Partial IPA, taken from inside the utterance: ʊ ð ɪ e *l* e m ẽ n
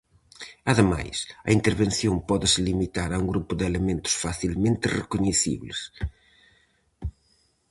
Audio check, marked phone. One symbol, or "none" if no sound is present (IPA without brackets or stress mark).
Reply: l